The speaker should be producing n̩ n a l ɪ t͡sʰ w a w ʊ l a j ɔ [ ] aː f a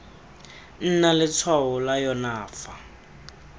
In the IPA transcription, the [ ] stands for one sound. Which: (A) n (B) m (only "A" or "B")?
A